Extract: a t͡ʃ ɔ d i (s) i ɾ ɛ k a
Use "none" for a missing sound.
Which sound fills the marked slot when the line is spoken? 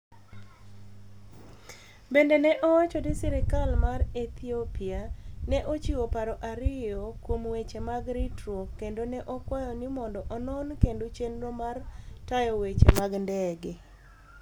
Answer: s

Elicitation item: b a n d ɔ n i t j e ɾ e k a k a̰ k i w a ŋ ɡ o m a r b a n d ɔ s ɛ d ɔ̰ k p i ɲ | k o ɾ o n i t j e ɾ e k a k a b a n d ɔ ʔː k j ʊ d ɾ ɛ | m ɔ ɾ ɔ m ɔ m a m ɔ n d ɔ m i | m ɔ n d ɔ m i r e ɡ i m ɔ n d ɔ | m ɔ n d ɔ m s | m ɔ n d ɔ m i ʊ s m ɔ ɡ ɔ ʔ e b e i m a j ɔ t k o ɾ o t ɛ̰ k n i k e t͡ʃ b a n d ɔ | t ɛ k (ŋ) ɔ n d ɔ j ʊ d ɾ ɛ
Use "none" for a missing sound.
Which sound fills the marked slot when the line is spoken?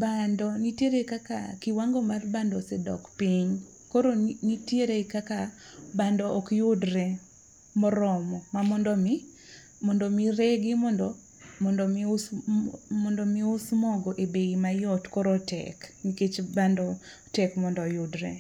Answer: m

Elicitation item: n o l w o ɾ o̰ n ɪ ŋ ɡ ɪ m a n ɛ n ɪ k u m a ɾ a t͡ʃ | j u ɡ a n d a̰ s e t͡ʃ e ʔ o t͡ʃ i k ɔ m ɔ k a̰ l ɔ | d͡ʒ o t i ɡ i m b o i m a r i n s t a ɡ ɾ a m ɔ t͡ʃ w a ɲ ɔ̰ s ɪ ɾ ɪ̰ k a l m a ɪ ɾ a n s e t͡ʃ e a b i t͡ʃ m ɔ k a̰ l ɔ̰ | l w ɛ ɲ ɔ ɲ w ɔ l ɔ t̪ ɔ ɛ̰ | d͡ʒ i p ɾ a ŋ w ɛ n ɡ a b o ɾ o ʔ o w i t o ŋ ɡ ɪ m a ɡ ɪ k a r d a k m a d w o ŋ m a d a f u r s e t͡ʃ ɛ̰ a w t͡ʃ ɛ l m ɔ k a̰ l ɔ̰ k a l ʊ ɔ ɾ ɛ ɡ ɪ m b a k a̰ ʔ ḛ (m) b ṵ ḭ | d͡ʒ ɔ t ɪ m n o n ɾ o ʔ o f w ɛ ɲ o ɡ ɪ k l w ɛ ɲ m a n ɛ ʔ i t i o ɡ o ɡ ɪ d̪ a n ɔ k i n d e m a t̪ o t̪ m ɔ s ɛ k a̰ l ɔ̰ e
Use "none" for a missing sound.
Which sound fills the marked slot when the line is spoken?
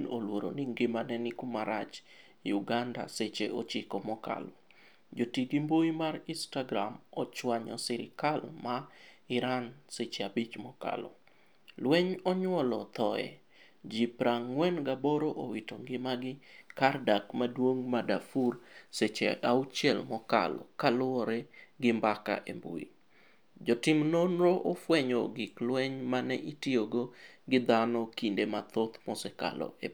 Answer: m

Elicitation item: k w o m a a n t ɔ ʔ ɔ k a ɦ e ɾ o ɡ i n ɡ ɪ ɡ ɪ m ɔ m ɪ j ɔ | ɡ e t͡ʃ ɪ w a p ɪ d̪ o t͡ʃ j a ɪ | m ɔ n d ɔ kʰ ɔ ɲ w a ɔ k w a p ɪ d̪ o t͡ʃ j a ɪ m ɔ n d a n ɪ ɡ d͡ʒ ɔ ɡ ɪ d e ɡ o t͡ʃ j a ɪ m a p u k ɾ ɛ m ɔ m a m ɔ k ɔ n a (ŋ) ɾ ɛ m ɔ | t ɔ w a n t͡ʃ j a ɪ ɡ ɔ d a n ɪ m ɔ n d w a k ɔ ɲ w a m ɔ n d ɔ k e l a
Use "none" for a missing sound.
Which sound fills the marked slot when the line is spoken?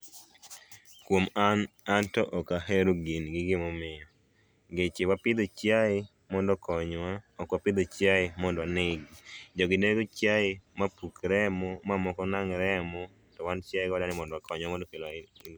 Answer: ŋ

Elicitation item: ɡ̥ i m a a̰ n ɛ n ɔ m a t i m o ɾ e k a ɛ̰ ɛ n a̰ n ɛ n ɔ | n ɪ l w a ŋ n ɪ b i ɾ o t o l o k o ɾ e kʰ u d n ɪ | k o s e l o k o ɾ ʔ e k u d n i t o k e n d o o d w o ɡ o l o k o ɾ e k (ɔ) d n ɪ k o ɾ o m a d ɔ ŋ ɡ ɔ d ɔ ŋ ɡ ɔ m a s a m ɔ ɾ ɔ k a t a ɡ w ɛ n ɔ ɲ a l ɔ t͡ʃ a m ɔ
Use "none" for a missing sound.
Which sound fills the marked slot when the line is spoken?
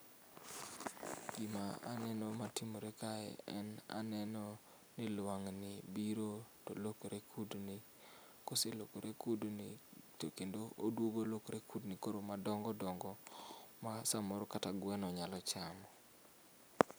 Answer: u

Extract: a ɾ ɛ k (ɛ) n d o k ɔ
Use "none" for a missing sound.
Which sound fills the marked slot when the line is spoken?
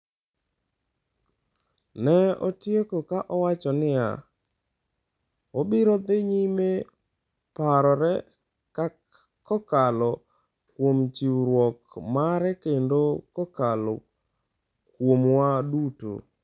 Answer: e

